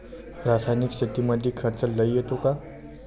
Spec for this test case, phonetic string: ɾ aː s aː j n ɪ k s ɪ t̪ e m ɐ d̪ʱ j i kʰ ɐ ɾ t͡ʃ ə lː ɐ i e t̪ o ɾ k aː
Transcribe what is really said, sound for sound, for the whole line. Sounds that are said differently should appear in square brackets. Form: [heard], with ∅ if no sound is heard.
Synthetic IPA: ɾ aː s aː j n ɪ k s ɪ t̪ [i] m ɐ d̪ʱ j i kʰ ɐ ɾ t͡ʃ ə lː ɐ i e t̪ o [∅] k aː